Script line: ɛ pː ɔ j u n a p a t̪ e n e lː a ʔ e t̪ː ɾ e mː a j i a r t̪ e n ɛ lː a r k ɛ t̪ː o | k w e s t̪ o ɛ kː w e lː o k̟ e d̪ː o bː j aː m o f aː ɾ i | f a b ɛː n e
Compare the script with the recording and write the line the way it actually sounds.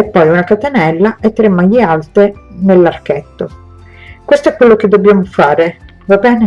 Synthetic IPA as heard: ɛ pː ɔ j u n a k a t̪ e n ɛ lː a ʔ e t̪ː ɾ e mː a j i a l t̪ e n e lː a r k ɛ t̪ː o | k w e s t̪ o ɛ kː w e lː o k̟ e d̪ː o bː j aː m o f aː ɾ e | v a b ɛː n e